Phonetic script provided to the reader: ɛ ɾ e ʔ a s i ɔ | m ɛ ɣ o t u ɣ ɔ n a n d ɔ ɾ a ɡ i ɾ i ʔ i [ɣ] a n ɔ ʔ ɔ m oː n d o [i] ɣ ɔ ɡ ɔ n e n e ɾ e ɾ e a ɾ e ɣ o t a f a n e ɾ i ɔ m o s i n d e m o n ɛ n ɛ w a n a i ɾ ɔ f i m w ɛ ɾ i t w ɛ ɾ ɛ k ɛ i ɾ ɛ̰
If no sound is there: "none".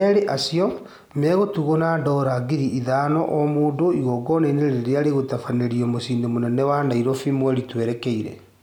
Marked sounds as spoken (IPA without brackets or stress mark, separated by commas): ð, i